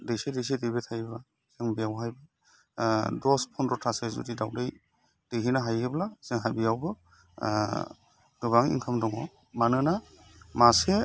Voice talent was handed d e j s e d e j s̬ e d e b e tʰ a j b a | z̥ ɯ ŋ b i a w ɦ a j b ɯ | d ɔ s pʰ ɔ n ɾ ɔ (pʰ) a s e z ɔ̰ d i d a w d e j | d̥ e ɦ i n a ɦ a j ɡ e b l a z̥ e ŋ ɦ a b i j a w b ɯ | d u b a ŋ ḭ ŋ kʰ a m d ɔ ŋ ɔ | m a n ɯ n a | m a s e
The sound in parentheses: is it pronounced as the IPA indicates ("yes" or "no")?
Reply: no